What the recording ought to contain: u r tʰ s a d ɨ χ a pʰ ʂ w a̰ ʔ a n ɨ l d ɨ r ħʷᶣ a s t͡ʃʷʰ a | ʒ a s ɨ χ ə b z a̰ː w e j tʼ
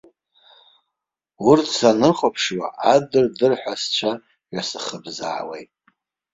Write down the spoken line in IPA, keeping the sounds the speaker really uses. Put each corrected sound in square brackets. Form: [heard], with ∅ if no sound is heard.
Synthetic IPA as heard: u r tʰ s a [n] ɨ χ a pʰ ʂ w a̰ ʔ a [d] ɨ [r] d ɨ r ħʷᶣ a s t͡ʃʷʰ a | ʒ a s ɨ χ ə b z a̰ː w e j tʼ